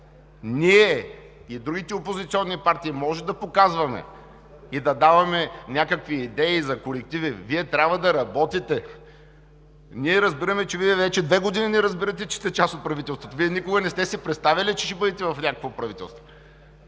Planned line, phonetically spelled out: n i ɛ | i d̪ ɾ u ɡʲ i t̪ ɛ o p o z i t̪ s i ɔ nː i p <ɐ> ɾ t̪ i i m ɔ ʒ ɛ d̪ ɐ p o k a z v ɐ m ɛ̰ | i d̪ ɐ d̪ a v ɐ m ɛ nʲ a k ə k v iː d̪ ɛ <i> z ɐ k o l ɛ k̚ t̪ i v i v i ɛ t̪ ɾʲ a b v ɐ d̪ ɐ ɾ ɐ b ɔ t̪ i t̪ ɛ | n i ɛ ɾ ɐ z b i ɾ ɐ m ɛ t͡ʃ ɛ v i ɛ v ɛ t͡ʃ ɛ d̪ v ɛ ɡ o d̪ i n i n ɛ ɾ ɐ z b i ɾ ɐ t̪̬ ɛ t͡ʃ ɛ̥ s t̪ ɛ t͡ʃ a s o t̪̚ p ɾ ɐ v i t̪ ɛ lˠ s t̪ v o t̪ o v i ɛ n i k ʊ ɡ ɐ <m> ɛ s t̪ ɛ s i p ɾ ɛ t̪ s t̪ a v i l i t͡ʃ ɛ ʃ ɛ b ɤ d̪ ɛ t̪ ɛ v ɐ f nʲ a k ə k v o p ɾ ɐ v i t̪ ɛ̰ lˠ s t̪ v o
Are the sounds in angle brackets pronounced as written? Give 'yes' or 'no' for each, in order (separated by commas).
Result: no, yes, no